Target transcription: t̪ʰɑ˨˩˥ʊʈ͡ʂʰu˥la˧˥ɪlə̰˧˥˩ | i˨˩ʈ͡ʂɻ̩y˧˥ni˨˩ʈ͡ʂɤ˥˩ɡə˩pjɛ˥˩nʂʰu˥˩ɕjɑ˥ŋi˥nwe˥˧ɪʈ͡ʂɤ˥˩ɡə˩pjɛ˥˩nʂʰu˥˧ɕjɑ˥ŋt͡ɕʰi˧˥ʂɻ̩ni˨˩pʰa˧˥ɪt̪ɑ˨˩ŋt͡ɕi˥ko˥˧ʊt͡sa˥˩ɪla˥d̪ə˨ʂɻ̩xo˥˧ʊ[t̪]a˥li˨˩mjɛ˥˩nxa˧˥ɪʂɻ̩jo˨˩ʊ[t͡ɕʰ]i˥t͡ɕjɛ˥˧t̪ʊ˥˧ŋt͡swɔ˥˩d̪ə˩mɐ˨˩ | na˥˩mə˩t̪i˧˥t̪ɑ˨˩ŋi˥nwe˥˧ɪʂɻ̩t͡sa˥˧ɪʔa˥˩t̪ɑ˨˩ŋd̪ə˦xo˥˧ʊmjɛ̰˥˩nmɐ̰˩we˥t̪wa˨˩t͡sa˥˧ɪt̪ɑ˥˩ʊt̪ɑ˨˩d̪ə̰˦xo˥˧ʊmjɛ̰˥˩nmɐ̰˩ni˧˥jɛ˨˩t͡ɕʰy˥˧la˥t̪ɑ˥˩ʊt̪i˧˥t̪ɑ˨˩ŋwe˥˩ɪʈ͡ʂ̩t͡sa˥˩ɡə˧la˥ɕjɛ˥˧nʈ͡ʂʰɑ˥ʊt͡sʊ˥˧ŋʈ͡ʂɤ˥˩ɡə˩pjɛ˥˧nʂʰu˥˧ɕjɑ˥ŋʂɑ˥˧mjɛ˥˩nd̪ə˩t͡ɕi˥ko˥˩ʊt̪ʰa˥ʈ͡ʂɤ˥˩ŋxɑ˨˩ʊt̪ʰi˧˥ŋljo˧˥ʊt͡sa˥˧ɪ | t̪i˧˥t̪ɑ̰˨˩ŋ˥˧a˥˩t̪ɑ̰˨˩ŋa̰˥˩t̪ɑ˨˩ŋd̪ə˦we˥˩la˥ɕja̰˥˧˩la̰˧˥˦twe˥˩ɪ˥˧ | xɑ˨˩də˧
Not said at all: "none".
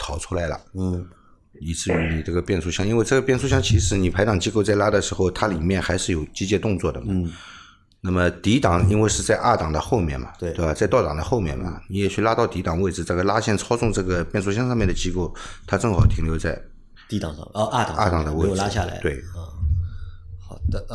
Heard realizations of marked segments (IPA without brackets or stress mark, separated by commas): t̪ʰ, t͡ɕ